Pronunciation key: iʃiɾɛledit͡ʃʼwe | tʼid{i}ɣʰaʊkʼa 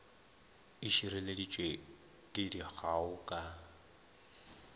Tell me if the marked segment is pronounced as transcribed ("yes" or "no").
yes